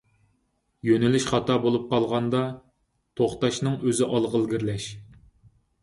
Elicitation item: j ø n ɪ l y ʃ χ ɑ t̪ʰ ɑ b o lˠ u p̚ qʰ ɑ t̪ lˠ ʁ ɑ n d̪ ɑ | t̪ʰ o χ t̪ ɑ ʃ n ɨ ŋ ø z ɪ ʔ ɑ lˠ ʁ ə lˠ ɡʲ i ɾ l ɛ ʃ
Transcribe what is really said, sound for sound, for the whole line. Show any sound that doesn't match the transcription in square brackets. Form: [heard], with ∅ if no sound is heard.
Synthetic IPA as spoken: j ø n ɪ l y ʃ χ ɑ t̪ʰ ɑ b o lˠ u p̚ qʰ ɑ [∅] lˠ ʁ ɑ n d̪ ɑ | t̪ʰ o χ t̪ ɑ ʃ n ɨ ŋ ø z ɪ ʔ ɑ lˠ ʁ ə lˠ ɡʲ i ɾ l ɛ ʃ